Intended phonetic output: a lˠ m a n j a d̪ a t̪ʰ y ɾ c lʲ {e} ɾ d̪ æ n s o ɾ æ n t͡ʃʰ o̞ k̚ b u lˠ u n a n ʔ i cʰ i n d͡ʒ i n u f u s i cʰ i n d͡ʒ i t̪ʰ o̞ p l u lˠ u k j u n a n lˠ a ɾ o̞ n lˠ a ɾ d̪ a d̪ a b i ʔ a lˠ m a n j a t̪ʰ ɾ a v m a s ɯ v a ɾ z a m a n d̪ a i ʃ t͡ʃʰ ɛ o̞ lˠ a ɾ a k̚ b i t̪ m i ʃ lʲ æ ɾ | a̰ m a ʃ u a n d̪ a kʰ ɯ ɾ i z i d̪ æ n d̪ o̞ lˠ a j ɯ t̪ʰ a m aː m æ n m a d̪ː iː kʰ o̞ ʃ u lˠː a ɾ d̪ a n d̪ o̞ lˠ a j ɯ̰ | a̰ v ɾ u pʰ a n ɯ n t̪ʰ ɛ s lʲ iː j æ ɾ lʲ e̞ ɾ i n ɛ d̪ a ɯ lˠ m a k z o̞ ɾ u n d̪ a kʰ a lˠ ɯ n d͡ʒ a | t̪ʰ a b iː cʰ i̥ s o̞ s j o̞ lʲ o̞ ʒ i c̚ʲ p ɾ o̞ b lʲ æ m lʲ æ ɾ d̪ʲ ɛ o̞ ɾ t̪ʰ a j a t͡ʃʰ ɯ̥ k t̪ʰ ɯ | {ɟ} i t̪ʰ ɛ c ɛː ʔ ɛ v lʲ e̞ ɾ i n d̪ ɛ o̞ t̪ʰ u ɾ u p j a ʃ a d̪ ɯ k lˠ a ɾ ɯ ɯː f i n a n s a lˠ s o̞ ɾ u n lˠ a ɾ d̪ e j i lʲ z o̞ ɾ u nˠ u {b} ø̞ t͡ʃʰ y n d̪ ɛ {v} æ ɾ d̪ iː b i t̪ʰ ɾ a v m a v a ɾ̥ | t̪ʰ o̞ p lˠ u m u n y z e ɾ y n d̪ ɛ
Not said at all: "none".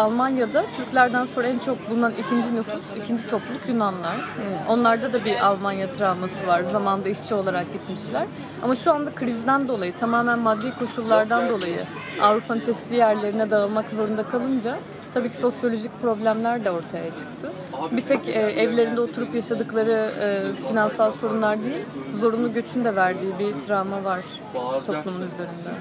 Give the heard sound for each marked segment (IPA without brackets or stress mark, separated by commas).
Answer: æ, b, ɟ, v